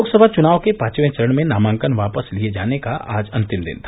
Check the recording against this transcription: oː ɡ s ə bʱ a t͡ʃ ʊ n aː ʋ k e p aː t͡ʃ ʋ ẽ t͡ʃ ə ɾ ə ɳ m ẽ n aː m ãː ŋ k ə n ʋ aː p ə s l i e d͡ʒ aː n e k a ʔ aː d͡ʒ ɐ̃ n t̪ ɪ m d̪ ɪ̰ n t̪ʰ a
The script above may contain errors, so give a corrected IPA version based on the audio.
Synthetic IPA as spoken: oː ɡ s ə bʱ a t͡ʃ ʊ n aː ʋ k e p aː t͡ʃ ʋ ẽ t͡ʃ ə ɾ ə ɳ m ẽ n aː m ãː ŋ k ə n ʋ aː p ə s l i e d͡ʒ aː n e k a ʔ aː d͡ʒ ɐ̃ n t̪ ɪ m d̪ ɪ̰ n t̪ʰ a

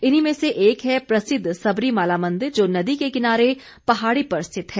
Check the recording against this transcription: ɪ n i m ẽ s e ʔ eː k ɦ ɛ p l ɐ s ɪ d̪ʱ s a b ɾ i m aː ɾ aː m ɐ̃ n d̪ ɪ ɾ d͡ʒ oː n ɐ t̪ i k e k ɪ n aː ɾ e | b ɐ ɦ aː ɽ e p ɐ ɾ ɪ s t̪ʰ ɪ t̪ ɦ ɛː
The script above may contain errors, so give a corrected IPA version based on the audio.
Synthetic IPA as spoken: ɪ n i m ẽ s e ʔ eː k ɦ ɛ p ɾ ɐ s ɪ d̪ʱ s ɐ b ɾ i m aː l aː m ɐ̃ n d̪ ɪ ɾ d͡ʒ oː n ɐ d̪ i k e k ɪ n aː ɾ e | p ɐ ɦ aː ɽ i p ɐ ɾ ɪ s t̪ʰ ɪ t̪ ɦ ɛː

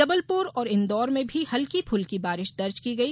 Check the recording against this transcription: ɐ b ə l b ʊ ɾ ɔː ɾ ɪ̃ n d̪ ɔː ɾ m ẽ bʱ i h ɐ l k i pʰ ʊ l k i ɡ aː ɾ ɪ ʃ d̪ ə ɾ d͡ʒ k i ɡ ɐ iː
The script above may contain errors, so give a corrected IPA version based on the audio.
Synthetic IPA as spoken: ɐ b ə l p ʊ ɾ ɔː ɾ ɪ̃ n d̪ ɔː ɾ m ẽ bʱ i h ɐ l k i pʰ ʊ l k i b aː ɾ ɪ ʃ d̪ ɐ ɾ d͡ʒ k i ɡ ɐ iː

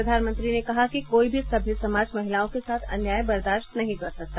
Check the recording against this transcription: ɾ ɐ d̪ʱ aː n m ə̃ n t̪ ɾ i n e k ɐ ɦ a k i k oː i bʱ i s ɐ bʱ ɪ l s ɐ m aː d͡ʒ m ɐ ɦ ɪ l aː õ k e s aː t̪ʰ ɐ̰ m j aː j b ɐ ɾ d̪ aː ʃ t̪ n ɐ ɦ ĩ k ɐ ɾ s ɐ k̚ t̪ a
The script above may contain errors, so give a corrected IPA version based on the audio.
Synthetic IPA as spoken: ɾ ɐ d̪ʱ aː n m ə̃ n t̪ ɾ i n e k ɐ ɦ a k i k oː i bʱ i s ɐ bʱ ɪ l s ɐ m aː d͡ʒ m ɐ ɦ ɪ l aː õ k e s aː t̪ʰ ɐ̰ n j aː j b ɐ ɾ d̪ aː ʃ t̪ n ɐ ɦ ĩ k ɐ ɾ s ɐ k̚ t̪ a

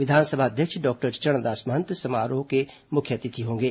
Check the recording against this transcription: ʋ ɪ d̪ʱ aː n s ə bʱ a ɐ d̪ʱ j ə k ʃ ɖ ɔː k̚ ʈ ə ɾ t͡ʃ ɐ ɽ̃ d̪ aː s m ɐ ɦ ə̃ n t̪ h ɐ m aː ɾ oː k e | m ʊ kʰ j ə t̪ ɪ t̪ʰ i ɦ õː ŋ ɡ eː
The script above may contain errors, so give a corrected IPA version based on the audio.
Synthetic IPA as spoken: ʋ ɪ d̪ʱ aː n s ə bʱ a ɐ d̪ʱ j ə k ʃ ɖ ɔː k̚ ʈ ə ɾ t͡ʃ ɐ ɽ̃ d̪ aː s m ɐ ɦ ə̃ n t̪ s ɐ m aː ɾ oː k e | m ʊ kʰ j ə t̪ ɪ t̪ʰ i ɦ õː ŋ ɡ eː

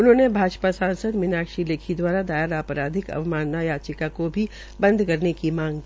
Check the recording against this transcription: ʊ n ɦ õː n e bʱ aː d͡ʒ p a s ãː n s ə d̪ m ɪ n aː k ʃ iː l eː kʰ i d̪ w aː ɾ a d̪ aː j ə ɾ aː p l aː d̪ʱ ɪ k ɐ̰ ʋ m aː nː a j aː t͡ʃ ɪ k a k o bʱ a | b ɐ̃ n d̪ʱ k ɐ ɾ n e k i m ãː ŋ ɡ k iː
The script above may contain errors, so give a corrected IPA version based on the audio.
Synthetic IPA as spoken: ʊ n ɦ õː n e bʱ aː d͡ʒ p a s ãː n s ə d̪ m ɪ n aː k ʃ i l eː kʰ i d̪ w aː ɾ a d̪ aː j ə ɾ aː p ɾ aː d̪ʱ ɪ k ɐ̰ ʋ m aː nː a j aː t͡ʃ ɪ k a k o bʱ i | b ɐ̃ n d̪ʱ k ɐ ɾ n e k i m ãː ŋ ɡ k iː

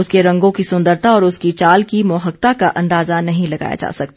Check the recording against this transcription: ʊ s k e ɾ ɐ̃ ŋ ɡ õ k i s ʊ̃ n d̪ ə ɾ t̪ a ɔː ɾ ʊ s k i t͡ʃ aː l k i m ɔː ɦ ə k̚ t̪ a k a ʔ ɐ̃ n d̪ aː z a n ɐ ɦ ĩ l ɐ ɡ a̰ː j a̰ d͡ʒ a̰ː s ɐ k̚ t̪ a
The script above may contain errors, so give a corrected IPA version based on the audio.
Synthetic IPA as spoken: ʊ s k e ɾ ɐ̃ ŋ ɡ õ k i s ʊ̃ n d̪ ə ɾ t̪ a ɔː ɾ ʊ s k i t͡ʃ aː l k i m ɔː ɦ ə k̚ t̪ a k a ʔ ɐ̃ n d̪ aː z a n ɐ ɦ ĩ l ɐ ɡ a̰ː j a̰ d͡ʒ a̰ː s ɐ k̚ t̪ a

